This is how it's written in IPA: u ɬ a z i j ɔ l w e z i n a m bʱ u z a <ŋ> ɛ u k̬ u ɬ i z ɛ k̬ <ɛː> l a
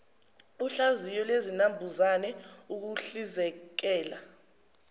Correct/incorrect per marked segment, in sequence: incorrect: n, correct

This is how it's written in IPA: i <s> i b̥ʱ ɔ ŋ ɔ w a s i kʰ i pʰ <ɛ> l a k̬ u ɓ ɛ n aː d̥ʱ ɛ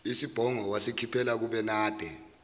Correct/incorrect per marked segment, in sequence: correct, correct

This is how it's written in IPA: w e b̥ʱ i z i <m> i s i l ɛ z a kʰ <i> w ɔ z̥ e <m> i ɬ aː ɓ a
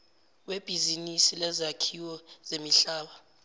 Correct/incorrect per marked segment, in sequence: incorrect: n, correct, correct

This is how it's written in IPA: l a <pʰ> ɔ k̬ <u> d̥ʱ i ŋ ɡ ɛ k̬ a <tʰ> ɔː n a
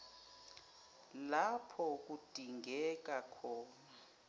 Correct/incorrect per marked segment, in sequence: correct, correct, incorrect: kʰ

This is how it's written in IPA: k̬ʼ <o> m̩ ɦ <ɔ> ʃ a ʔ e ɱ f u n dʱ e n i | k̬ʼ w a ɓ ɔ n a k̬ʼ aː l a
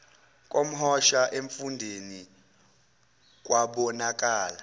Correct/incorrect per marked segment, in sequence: correct, correct

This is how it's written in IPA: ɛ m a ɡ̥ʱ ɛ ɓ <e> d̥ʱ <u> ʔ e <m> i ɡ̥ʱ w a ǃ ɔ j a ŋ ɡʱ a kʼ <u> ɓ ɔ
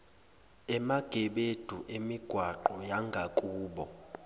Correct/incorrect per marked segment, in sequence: correct, correct, correct, incorrect: uː

